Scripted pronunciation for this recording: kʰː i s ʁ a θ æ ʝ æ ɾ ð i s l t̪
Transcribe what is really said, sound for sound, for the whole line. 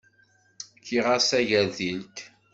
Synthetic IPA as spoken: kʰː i ʁ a s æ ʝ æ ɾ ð i l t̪